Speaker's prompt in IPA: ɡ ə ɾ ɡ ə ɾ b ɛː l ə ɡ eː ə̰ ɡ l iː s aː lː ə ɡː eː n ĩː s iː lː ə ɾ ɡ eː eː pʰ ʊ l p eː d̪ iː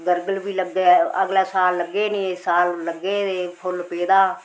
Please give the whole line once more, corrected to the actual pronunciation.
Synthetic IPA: ɡ ə ɾ ɡ ə l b iː l ə ɡ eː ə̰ ɡ l aː s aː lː ə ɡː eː n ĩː s aː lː ə ɡ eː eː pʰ ʊ l p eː d̪ aː